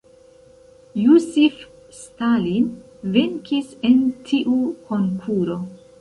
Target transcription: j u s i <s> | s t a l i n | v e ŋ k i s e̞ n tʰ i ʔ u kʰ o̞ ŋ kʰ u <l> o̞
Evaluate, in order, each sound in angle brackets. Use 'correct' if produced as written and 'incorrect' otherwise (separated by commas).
incorrect, incorrect